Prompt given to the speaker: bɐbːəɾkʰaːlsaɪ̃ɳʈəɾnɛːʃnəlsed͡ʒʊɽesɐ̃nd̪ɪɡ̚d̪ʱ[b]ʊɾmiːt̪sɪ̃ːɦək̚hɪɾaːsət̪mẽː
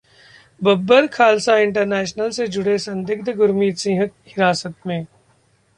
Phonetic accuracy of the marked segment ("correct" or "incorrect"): incorrect